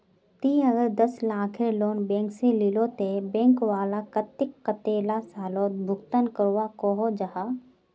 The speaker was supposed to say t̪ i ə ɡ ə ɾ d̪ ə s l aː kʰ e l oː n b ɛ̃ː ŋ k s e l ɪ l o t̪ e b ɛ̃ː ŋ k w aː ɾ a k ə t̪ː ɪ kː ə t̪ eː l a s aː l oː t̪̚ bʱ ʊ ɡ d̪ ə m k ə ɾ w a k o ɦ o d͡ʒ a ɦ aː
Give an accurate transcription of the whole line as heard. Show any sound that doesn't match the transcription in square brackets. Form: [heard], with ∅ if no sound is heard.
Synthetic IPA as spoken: t̪ i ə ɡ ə ɾ d̪ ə s l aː kʰ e l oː n b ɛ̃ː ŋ k s e l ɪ l o t̪ e b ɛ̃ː ŋ k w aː [l] a k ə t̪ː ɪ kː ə t̪ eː l a s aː l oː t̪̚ bʱ ʊ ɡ [t̪] ə [n] k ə ɾ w a k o ɦ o d͡ʒ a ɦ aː